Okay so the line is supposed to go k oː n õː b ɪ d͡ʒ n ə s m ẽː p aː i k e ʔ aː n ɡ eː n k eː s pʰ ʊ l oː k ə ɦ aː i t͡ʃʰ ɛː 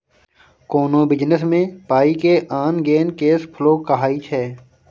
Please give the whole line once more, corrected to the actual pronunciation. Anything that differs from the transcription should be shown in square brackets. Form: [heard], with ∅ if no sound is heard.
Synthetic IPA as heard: k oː n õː b ɪ d͡ʒ n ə s m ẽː p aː i k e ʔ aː n ɡ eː n k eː s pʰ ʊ l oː k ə ɦ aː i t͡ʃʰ ɛː